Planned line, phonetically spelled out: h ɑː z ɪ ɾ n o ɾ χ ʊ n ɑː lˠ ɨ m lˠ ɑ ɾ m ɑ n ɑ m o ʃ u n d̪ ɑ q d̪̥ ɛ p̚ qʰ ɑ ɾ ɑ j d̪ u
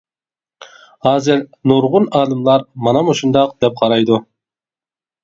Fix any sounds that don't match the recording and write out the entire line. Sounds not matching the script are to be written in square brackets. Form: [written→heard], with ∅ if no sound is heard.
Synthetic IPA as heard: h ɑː z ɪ ɾ n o ɾ [χ→ʁ] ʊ n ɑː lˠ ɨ m lˠ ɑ ɾ m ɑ n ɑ m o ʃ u n d̪ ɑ q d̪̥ ɛ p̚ qʰ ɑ ɾ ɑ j d̪ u